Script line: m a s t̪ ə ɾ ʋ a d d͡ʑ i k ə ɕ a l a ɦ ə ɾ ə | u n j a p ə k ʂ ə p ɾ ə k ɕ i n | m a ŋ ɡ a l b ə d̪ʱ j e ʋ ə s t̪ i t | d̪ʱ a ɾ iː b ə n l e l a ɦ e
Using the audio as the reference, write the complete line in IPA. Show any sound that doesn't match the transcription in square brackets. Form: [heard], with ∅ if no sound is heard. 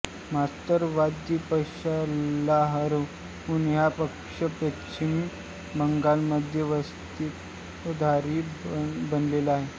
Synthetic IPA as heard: m a s t̪ ə ɾ ʋ a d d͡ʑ i [p] ə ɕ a l a ɦ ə ɾ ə | u n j a p ə k ʂ ə p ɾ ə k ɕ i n | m [ə] ŋ ɡ a l [m] ə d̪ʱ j e ʋ ə s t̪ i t | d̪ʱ a ɾ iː b ə n l e l a ɦ e